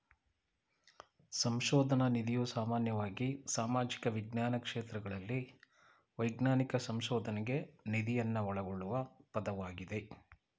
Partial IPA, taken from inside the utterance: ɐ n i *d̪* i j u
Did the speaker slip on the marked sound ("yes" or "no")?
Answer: no